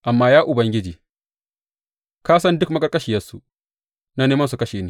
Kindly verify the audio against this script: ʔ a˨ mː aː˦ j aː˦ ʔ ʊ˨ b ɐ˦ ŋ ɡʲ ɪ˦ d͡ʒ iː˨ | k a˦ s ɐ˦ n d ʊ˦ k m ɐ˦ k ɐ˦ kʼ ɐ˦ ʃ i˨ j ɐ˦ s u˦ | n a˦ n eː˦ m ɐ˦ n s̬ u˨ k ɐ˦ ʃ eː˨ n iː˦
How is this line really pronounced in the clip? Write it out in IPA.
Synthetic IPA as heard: ʔ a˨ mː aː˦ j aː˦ ʔ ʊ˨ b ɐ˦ ŋ ɡʲ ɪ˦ d͡ʒ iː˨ | k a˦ s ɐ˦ n d ʊ˦ k m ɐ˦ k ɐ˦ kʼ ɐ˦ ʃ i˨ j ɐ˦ s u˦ | n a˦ n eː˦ m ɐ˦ n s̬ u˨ k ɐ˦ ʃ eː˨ n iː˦